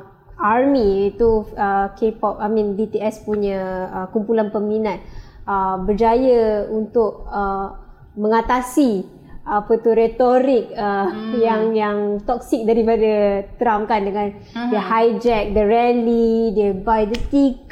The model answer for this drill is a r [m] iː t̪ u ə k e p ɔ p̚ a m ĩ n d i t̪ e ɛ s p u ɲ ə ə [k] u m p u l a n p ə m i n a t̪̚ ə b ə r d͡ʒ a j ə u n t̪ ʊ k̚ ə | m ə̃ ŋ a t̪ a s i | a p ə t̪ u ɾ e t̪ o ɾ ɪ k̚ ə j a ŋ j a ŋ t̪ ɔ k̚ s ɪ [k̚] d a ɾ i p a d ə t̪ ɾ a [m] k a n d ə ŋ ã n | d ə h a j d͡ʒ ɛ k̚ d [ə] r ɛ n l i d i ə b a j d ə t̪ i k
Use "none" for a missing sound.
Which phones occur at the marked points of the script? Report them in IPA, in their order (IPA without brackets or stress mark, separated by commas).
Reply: m, k, k̚, m, ə